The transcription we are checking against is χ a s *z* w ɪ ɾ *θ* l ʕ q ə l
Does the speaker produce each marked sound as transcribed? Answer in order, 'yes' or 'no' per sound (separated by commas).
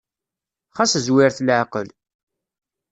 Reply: yes, yes